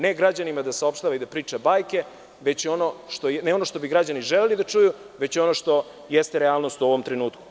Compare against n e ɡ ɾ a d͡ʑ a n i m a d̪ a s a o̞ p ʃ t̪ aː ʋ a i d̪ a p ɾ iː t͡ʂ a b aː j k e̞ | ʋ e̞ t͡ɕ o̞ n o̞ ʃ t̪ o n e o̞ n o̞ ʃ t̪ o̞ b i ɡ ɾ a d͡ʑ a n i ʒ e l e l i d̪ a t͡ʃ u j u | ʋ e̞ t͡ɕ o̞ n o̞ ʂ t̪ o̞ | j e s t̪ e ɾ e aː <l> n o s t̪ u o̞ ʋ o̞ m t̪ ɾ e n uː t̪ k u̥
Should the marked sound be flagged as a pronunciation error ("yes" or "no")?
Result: no